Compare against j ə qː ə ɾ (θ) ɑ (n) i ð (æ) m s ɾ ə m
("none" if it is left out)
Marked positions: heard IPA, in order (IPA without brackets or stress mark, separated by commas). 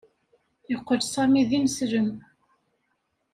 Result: s, m, i